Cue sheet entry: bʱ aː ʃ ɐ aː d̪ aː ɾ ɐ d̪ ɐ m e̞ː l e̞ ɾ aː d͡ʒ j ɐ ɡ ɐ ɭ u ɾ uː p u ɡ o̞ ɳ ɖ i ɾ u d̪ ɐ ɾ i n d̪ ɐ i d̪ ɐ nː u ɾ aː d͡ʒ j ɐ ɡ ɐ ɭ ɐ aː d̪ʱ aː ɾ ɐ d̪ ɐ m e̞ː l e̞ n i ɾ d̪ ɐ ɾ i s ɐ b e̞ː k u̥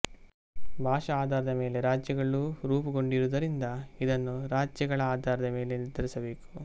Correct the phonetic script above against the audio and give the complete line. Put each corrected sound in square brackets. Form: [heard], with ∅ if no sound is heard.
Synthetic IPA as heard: bʱ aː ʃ ɐ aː d̪ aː ɾ ɐ d̪ ɐ m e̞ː l e̞ ɾ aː d͡ʒ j ɐ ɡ ɐ ɭ u ɾ uː p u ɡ o̞ ɳ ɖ i ɾ u d̪ ɐ ɾ i n d̪ ɐ i d̪ ɐ nː u ɾ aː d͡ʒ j ɐ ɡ ɐ ɭ ɐ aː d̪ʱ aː ɾ ɐ d̪ ɐ m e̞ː l e̞ n i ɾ d̪ ɐ ɾ i s ɐ b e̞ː k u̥

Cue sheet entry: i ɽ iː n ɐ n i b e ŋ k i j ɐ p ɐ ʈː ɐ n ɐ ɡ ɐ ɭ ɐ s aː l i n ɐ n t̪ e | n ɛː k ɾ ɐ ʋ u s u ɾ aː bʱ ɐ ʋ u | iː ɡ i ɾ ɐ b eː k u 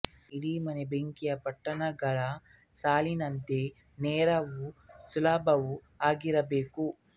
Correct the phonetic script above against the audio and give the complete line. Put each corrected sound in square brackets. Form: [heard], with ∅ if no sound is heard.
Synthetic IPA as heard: i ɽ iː [m] ɐ n [e] b e ŋ k i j ɐ p ɐ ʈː ɐ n ɐ ɡ ɐ ɭ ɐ s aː l i n ɐ n t̪ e | n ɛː [∅] ɾ ɐ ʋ u s u [l] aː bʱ ɐ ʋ u | [aː] ɡ i ɾ ɐ b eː k u

